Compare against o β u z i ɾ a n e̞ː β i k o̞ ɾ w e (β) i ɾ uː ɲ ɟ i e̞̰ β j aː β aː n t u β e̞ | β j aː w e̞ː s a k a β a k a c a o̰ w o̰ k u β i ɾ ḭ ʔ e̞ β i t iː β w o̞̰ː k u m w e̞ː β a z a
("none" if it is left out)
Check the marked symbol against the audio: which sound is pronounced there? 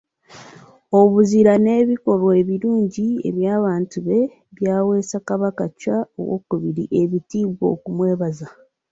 β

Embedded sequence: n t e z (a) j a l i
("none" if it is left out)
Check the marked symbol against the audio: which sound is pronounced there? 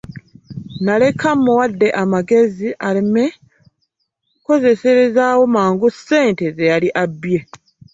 e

